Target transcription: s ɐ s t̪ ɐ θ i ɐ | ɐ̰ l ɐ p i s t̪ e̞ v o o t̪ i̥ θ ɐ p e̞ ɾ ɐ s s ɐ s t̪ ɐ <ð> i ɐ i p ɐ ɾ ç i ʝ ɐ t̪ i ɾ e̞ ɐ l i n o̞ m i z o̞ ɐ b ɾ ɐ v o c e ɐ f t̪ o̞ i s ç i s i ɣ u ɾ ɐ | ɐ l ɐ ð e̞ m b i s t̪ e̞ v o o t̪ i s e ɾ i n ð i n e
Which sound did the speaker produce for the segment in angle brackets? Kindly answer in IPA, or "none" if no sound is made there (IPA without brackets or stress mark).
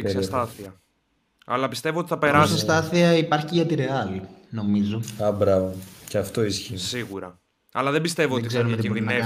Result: θ